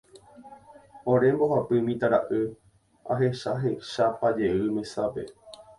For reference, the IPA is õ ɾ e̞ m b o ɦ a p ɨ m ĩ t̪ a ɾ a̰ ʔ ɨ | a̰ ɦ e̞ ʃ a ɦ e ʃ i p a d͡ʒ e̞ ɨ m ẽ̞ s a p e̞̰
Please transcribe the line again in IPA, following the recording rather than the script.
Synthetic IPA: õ ɾ e̞ m b o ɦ a p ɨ m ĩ t̪ a ɾ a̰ ʔ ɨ | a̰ ɦ e̞ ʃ a ɦ e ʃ a p a d͡ʒ e̞ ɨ m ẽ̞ s a p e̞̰